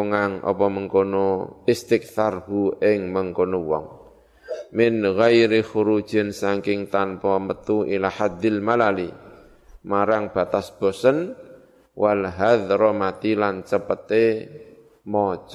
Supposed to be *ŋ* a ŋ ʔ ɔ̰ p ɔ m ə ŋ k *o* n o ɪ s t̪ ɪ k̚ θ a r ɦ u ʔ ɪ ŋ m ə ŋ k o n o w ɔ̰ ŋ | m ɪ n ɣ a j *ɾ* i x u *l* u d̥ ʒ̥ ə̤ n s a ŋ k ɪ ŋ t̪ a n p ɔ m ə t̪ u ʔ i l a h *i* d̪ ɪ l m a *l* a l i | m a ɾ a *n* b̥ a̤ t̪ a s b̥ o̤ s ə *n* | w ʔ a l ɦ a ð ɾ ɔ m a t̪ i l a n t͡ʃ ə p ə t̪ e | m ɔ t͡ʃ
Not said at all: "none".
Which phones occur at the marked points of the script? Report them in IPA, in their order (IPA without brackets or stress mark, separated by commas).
ŋ, o, ɾ, ɾ, a, l, ŋ, n